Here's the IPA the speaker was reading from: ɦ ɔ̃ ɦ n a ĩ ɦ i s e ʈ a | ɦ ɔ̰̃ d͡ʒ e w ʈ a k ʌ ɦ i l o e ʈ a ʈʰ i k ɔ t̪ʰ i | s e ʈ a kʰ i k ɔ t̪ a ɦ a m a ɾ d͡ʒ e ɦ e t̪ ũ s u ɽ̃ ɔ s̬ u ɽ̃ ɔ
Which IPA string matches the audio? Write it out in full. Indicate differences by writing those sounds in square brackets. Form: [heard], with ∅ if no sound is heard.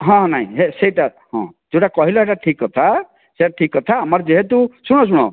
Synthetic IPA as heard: ɦ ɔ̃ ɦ n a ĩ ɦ [e] s e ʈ a | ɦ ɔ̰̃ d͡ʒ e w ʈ a k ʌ ɦ i l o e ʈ a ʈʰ i k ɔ t̪ʰ [a] | s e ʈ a [ʈʰ] i k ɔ [t̪ʰ] a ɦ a m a ɾ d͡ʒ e ɦ e t̪ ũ s u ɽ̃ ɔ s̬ u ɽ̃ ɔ